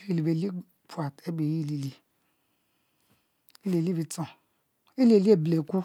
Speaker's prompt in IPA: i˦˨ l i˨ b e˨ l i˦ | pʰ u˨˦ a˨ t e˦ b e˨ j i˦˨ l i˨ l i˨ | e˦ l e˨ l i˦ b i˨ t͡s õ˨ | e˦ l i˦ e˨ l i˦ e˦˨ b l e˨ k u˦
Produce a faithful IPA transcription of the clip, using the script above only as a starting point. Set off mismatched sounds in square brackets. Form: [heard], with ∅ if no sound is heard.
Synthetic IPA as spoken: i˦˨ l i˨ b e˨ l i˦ | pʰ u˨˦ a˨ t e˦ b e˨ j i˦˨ l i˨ l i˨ | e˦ l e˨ l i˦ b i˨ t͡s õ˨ | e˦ l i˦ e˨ l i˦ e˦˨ b l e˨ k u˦